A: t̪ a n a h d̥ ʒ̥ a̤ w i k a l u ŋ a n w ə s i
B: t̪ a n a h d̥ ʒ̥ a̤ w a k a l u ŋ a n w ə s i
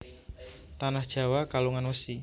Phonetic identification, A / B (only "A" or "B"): B